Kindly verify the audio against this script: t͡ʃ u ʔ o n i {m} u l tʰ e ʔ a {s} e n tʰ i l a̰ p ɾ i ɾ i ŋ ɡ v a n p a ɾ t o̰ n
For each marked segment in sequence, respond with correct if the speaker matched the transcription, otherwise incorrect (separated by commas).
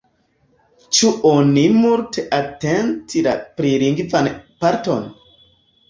correct, incorrect